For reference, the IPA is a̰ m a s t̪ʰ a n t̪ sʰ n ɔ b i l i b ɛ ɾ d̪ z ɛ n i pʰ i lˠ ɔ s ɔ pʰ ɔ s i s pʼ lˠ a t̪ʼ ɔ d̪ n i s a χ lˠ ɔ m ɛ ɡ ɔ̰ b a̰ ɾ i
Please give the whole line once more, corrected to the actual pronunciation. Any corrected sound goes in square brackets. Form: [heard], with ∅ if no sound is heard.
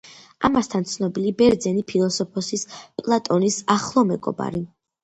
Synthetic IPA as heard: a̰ m a s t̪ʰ a n t̪ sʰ n ɔ b i l i b ɛ ɾ d̪ z ɛ n i pʰ i lˠ ɔ s ɔ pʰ ɔ s i s pʼ lˠ a t̪ʼ ɔ [∅] n i s a χ lˠ ɔ m ɛ ɡ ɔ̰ b a̰ ɾ i